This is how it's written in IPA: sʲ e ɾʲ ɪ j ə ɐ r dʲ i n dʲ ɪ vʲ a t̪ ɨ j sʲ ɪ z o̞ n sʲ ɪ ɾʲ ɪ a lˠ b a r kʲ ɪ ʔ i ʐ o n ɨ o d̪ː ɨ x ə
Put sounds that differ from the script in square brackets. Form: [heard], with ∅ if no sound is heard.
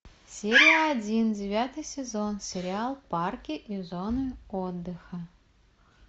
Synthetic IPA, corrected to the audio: sʲ e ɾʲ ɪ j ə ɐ [∅] dʲ i n dʲ ɪ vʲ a t̪ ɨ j sʲ ɪ z o̞ n sʲ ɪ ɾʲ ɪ a lˠ [p] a r kʲ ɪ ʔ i [z] o n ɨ o d̪ː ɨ x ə